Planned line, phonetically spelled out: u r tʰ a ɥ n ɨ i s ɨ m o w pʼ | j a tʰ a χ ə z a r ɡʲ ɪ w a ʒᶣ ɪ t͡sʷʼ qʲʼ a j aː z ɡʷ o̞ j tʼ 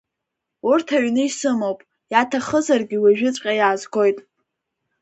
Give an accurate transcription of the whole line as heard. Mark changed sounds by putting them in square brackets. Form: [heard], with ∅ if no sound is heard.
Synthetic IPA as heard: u r tʰ a ɥ n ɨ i s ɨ m o w pʼ | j a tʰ a χ ə z a r ɡʲ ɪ w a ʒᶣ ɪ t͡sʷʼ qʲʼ a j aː z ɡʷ o̞ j tʼ